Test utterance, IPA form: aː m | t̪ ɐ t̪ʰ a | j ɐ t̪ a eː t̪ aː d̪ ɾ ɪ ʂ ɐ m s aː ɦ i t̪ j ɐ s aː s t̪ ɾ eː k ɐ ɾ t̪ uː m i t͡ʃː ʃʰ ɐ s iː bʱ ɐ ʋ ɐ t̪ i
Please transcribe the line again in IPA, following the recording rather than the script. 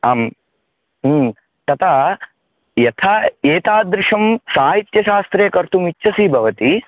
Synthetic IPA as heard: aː m | t̪ ɐ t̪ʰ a | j ɐ t̪ʰ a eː t̪ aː d̪ ɾ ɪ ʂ ɐ m s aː ɦ i t̪ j ɐ ʃ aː s t̪ ɾ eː k ɐ ɾ t̪ u m i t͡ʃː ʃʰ ɐ s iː bʱ ɐ ʋ ɐ t̪ i